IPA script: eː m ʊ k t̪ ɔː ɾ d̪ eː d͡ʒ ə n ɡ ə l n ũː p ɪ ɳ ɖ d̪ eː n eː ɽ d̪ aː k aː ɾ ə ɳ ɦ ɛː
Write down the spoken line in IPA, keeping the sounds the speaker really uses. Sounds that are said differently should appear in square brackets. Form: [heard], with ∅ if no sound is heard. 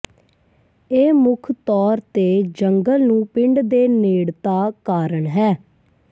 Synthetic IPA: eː m ʊ [kʰ] t̪ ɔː ɾ [t̪] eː d͡ʒ ə [ŋ] ɡ ə l n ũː p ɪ ɳ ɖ d̪ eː n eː ɽ [t̪] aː k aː ɾ ə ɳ ɦ ɛː